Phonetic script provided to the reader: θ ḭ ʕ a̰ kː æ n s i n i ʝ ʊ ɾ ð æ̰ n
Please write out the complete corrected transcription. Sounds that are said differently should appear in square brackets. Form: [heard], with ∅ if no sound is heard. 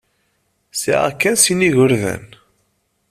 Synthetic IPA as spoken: [s] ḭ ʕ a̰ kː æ n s i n i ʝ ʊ ɾ ð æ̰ n

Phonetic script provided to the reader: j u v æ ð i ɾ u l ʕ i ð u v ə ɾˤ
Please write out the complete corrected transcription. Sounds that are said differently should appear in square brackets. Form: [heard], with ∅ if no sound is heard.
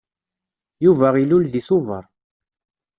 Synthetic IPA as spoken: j u v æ [ʁ] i [l] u l [ð] i [θ] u v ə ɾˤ

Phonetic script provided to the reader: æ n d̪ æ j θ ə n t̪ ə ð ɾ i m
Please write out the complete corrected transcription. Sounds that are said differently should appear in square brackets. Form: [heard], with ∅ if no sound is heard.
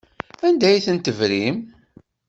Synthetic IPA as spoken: æ n d̪ æ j θ ə n t̪ ə [v] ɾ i m

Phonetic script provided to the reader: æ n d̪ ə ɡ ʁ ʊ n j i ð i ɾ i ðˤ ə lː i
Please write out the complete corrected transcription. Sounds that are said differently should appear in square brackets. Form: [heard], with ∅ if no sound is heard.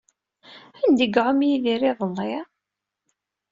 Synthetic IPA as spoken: æ n d̪ ə ɡ [ʕ] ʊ [m] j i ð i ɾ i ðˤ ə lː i

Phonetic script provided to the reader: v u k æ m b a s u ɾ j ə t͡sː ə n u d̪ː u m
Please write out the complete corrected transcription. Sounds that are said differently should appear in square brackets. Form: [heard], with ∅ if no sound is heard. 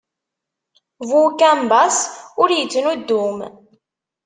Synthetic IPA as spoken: v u k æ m b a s [ʊ] ɾ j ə t͡sː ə n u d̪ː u m

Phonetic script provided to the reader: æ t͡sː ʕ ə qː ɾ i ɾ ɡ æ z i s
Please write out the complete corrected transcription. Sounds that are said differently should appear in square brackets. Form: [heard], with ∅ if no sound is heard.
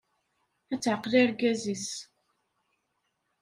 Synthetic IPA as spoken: æ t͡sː ʕ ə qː [l] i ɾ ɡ æ z i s

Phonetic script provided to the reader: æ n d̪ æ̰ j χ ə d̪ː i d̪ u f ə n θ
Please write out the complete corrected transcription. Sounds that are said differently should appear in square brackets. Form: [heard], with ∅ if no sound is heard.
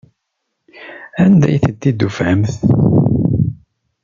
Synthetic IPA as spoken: æ n d̪ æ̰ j [θ] ə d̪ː i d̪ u f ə [m] θ

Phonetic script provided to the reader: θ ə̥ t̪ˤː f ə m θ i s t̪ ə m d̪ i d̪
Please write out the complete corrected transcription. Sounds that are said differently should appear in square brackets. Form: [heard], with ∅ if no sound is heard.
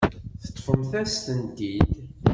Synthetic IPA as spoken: θ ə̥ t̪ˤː f ə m θ [æ] s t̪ ə [n] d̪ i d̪

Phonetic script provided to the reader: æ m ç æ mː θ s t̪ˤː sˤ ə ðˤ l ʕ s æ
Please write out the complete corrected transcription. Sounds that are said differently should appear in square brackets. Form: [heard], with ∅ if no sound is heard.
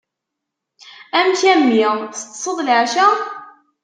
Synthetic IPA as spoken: æ m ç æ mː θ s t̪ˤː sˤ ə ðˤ l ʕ [ʃ] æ

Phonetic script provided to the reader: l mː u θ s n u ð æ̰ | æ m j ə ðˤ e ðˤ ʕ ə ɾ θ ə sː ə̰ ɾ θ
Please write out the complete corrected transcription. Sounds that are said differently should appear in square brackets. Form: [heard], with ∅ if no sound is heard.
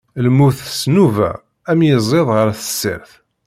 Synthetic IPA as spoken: l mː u θ s n u [v] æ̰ | æ m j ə [zˤ] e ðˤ [ʁ] ə ɾ θ ə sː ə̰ ɾ θ

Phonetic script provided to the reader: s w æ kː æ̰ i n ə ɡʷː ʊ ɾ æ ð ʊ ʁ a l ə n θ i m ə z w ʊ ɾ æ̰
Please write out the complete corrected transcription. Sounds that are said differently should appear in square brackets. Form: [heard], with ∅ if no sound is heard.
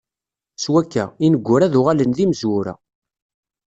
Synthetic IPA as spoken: s w æ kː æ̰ i n ə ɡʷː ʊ ɾ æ ð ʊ ʁ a l ə n [ð] i m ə z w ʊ ɾ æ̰

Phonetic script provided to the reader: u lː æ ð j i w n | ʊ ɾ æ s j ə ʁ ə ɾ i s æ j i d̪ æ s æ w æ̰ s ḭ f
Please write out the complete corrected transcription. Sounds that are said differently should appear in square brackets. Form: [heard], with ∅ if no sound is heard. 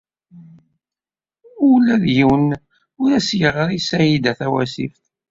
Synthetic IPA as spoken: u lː æ ð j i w n | ʊ ɾ æ s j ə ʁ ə ɾ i s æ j i d̪ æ [θ] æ w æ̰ s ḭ f

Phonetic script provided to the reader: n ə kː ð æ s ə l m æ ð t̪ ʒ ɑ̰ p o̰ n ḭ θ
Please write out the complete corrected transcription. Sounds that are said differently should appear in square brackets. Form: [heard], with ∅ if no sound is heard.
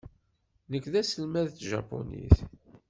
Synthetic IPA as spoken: n ə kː ð æ s ə l m æ ð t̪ ʒ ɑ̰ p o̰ n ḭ θ

